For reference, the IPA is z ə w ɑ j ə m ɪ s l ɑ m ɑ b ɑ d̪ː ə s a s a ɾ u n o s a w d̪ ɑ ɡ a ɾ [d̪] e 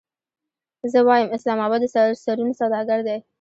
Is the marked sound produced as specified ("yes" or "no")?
yes